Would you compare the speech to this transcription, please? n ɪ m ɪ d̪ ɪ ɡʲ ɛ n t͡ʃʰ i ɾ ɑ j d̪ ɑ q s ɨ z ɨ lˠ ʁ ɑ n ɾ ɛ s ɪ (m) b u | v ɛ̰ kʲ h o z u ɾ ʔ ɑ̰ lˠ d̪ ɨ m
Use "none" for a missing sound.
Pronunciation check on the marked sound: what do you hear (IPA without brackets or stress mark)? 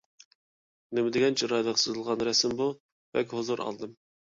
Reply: m